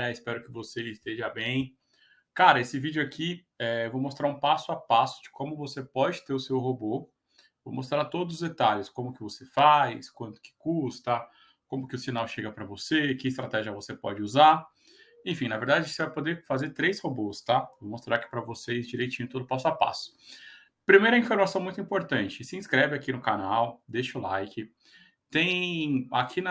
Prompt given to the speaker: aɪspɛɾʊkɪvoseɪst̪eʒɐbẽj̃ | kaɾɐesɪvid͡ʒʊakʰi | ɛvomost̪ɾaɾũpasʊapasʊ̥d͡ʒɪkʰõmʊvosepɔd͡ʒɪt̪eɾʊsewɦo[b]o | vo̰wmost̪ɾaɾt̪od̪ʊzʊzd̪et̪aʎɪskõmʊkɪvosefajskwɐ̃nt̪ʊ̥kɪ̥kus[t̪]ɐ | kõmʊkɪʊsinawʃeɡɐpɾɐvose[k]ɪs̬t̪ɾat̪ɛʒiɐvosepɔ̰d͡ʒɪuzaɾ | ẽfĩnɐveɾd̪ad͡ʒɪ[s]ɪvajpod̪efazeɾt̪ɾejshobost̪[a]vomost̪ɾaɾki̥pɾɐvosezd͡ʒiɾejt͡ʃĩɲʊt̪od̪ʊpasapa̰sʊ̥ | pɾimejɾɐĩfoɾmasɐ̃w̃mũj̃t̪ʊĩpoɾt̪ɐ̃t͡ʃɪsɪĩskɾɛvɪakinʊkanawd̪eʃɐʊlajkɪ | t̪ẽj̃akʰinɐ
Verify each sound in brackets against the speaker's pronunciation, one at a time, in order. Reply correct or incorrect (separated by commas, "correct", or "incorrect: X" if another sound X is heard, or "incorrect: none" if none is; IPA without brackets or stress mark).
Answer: correct, correct, correct, correct, correct